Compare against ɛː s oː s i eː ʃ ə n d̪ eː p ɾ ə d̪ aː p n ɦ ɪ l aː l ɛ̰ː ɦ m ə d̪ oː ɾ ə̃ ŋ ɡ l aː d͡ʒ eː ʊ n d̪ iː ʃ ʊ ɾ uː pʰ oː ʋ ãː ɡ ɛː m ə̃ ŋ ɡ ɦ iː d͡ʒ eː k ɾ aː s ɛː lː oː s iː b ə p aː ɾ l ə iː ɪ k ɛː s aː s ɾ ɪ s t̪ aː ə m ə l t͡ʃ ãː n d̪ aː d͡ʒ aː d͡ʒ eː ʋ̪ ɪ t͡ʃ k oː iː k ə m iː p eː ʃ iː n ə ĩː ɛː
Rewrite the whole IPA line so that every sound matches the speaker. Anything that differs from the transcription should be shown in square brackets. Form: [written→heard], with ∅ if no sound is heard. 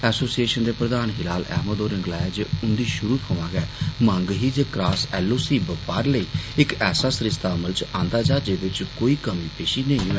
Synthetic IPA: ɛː s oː s i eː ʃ ə n d̪ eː p ɾ ə d̪ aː [p→∅] n ɦ ɪ l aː l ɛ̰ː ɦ m ə d̪ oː ɾ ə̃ ŋ ɡ l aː d͡ʒ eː ʊ n d̪ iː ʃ ʊ ɾ uː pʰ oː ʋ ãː ɡ ɛː m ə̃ ŋ ɡ ɦ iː d͡ʒ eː k ɾ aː s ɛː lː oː s iː b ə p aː ɾ l ə iː ɪ k ɛː s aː s ɾ ɪ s t̪ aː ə m ə l t͡ʃ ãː n d̪ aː d͡ʒ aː d͡ʒ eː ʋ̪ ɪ t͡ʃ k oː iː k ə m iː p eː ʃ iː n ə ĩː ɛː